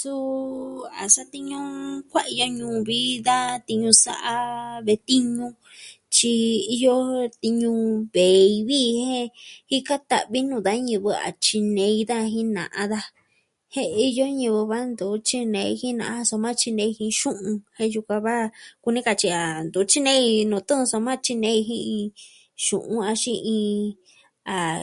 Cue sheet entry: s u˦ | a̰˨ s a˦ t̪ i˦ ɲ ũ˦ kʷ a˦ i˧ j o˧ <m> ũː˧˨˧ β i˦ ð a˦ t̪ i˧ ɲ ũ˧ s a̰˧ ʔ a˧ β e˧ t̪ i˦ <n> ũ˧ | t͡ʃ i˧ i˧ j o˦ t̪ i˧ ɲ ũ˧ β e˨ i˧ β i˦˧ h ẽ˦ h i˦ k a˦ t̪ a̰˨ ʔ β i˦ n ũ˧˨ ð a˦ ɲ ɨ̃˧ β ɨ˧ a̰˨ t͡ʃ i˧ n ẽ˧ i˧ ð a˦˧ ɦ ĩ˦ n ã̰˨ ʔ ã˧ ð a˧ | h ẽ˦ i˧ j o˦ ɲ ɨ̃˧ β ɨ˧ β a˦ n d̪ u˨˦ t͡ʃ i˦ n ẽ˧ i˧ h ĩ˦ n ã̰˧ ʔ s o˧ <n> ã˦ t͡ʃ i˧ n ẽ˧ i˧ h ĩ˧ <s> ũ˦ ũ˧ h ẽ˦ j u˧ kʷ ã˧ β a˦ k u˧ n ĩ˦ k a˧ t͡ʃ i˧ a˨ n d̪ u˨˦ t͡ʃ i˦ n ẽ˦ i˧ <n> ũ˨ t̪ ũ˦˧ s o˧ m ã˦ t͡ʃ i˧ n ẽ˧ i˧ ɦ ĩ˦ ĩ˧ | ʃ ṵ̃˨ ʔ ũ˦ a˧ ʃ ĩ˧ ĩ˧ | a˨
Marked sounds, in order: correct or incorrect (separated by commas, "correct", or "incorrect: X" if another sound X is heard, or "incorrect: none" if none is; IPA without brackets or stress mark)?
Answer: incorrect: ɲ, incorrect: ɲ, incorrect: m, incorrect: ʃ, correct